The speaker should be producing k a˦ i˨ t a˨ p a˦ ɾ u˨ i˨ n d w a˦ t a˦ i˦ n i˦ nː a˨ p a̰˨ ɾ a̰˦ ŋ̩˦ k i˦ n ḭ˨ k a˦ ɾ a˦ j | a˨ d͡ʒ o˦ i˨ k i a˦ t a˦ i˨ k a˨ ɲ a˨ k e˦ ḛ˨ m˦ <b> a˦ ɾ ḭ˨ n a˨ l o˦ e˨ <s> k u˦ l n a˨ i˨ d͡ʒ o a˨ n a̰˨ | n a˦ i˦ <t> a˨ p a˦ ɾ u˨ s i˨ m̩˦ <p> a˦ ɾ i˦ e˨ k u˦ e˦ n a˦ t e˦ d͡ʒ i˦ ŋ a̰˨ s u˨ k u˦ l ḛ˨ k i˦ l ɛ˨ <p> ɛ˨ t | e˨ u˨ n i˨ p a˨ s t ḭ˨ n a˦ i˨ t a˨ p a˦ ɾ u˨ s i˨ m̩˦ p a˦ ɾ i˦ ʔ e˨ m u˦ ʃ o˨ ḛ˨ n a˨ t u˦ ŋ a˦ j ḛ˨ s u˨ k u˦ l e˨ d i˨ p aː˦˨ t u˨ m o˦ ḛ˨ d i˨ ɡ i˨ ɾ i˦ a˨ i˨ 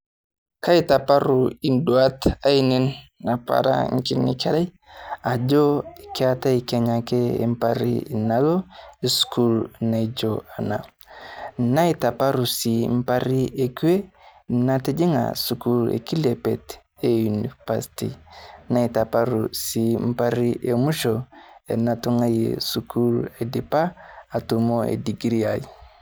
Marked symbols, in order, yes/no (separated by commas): no, yes, yes, yes, yes